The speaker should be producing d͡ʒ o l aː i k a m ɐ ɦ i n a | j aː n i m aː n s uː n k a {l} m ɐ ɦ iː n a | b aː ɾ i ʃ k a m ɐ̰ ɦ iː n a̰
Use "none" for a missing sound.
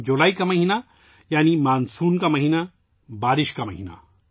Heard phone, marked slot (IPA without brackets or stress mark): none